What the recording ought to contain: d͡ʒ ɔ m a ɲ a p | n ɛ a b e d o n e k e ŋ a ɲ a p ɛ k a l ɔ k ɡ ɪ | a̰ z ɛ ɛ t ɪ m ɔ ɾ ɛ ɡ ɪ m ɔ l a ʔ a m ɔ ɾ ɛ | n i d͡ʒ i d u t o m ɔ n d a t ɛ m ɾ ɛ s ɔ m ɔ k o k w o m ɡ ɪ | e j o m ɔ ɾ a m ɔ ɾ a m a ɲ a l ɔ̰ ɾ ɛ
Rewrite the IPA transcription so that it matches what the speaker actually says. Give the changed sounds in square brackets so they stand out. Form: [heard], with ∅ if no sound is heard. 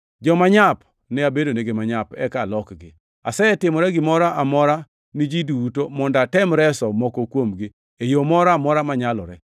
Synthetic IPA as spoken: d͡ʒ ɔ m a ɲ a p | n ɛ a b e d o n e [ɡ] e [m] a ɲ a p ɛ k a l ɔ k ɡ ɪ | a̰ [s] ɛ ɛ t ɪ m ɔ ɾ ɛ ɡ ɪ m ɔ [ɾ] a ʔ a m ɔ ɾ [a] | n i d͡ʒ i d u t o m ɔ n d a t ɛ m ɾ ɛ s ɔ m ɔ k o k w o m ɡ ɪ | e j o m ɔ ɾ a m ɔ ɾ a m a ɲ a l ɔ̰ ɾ ɛ